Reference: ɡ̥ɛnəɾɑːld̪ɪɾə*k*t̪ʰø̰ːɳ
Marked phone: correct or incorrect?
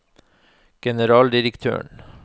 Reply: correct